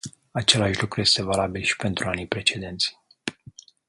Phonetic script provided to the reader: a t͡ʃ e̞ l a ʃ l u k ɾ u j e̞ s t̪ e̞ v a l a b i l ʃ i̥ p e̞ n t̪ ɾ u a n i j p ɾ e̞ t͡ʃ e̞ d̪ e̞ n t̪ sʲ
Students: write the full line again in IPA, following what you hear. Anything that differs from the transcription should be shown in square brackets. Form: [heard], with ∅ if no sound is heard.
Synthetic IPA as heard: a t͡ʃ e̞ l a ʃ l u k ɾ u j e̞ s t̪ e̞ v a l a b i l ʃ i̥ p e̞ n t̪ ɾ u a n i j p ɾ e̞ t͡ʃ e̞ d̪ e̞ n t̪ sʲ